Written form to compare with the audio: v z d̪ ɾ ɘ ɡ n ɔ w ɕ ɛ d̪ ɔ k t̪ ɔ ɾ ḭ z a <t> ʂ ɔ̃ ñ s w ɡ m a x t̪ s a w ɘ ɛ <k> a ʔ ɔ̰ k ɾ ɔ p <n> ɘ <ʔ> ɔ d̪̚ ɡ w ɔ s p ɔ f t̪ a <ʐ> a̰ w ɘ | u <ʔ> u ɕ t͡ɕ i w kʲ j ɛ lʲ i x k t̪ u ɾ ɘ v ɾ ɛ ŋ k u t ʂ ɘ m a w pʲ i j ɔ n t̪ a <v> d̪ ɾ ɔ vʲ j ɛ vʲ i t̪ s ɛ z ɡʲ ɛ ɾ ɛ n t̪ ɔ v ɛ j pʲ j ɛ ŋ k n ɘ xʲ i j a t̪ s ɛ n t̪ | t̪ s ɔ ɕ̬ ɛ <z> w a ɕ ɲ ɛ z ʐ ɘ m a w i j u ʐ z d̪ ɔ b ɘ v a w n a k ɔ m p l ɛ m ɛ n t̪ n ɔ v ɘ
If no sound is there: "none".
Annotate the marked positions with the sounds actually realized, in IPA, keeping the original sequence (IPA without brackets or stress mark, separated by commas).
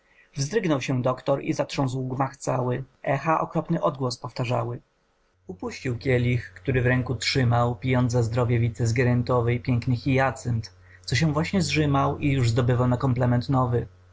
t, x, n, ʔ, ʐ, p, z, v